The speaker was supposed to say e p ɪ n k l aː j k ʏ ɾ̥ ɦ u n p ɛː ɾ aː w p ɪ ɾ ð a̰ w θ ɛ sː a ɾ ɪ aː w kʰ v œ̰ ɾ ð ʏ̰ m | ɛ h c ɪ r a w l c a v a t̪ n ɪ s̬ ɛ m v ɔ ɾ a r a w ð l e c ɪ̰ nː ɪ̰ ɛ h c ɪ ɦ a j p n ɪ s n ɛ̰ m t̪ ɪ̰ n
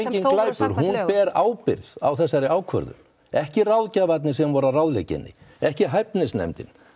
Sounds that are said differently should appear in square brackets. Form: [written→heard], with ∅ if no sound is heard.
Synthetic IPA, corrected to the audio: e [p→c] ɪ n k l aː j [k→p] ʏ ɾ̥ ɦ u n p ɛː ɾ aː w p ɪ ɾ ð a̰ w θ ɛ sː a ɾ ɪ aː w kʰ v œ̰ ɾ ð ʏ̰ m | ɛ h c ɪ r a w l c a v a t̪ n ɪ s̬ ɛ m v ɔ ɾ a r a w ð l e c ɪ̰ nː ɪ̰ ɛ h c ɪ ɦ a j p n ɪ s n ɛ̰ m t̪ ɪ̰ n

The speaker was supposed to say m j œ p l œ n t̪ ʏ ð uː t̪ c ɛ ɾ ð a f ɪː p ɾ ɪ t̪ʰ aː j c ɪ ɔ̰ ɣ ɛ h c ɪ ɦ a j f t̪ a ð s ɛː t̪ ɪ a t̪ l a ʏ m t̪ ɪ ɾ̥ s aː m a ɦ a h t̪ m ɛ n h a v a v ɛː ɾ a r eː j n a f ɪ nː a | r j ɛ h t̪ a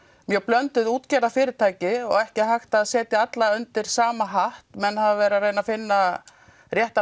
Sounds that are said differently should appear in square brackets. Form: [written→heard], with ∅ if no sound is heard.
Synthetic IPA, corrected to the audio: m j œ p l œ n t̪ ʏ ð uː t̪ c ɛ ɾ ð a f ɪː [p→∅] ɾ ɪ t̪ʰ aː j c ɪ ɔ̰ ɣ ɛ h c ɪ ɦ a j [f→x] t̪ a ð s ɛː t̪ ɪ a t̪ l a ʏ [m→n] t̪ ɪ ɾ̥ s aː m a ɦ a h t̪ m ɛ n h a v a v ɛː ɾ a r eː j n a f ɪ nː a | r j ɛ h t̪ a

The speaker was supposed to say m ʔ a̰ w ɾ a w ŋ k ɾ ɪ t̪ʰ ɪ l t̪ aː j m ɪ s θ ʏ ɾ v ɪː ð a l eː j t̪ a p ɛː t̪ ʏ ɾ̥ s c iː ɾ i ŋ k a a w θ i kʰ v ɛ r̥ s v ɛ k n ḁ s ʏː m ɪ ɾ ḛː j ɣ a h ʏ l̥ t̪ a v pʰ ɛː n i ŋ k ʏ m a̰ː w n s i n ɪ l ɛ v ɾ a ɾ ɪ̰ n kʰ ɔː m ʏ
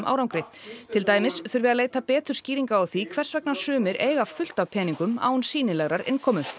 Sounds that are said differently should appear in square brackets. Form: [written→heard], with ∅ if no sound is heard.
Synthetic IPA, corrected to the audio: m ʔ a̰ w ɾ a w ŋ k ɾ ɪ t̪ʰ ɪ l t̪ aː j m ɪ s θ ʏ ɾ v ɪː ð a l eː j t̪ a p ɛː t̪ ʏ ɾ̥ s c iː ɾ i ŋ k a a w θ i kʰ v ɛ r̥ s v ɛ k n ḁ s ʏː m ɪ ɾ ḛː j ɣ a [h→f] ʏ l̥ t̪ a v pʰ ɛː n i ŋ k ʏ m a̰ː w n s [i→iː] n ɪ l ɛ [v→ɣ] ɾ a ɾ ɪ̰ n kʰ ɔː m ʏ

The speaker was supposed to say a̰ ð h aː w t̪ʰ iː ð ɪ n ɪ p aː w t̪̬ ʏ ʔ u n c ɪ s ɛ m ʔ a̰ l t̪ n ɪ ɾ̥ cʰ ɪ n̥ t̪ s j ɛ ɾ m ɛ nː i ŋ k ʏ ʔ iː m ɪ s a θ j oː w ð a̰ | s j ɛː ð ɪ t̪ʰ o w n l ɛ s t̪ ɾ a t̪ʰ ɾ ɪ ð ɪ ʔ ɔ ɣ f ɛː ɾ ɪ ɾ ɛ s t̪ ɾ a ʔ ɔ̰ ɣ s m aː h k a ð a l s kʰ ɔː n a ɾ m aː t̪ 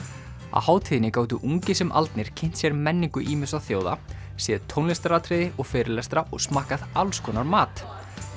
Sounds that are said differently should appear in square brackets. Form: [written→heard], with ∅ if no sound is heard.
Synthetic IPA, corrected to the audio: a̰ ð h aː w t̪ʰ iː ð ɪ n ɪ [p→k] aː w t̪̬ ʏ ʔ u [n→ŋ] c ɪ s ɛ m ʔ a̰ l t̪ n ɪ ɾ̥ cʰ ɪ n̥ t̪ s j ɛ ɾ m ɛ nː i ŋ k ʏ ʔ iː m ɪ s a θ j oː w ð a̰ | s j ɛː ð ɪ t̪ʰ o w n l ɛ s t̪ ɾ a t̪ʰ ɾ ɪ ð ɪ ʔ ɔ ɣ f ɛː ɾ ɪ [ɾ→l] ɛ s t̪ ɾ a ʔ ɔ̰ ɣ s m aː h k a ð a l s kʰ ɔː n a ɾ m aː t̪

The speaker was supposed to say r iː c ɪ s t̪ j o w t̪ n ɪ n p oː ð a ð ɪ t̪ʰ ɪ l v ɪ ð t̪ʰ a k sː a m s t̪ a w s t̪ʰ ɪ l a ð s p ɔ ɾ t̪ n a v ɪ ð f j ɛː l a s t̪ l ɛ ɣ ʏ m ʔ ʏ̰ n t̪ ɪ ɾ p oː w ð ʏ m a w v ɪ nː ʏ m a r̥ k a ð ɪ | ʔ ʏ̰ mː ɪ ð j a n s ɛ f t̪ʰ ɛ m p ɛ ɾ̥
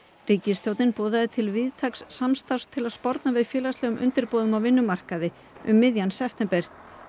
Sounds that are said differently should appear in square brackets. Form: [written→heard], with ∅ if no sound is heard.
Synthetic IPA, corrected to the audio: r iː c ɪ s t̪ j o w t̪ n ɪ n p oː ð a ð ɪ t̪ʰ ɪ l v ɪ ð t̪ʰ a k sː a m s t̪ a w s t̪ʰ ɪ l a ð s p ɔ ɾ t̪ n a v ɪ ð f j ɛː l a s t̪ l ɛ ɣ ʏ m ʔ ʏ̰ n t̪ ɪ ɾ p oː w ð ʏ m a w v ɪ nː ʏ m a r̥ k a ð ɪ | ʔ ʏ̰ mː ɪ ð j a n s ɛ f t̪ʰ ɛ m p ɛ ɾ̥

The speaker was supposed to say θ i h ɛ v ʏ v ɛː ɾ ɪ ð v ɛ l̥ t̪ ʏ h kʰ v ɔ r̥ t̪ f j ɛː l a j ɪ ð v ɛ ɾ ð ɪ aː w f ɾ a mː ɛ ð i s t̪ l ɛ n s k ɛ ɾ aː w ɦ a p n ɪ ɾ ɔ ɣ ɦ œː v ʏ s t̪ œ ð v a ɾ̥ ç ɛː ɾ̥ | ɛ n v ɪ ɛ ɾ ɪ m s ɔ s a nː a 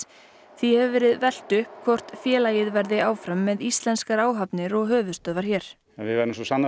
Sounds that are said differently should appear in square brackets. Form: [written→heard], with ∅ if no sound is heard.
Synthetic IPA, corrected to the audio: θ i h ɛ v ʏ v ɛː ɾ ɪ ð v ɛ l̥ t̪ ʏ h kʰ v ɔ r̥ t̪ f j ɛː l a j ɪ ð v ɛ ɾ ð ɪ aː w f ɾ a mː ɛ ð i s t̪ l ɛ n s k [ɛ→a] ɾ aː w ɦ a p n ɪ ɾ ɔ ɣ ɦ œː v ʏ s t̪ œ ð v a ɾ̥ ç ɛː ɾ̥ | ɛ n v ɪ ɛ ɾ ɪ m s ɔ s a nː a

